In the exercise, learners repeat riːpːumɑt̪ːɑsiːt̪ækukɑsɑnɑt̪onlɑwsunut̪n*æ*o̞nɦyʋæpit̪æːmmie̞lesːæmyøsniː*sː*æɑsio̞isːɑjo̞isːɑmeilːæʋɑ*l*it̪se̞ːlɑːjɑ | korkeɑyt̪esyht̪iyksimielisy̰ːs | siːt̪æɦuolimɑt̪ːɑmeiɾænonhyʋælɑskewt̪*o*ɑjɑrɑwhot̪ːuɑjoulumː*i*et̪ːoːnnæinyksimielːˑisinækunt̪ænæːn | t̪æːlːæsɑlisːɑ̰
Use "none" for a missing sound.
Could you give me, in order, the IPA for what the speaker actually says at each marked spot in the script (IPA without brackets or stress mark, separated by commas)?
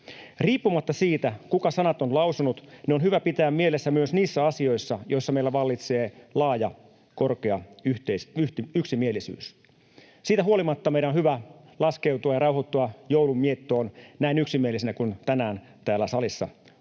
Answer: e, sː, lː, u, i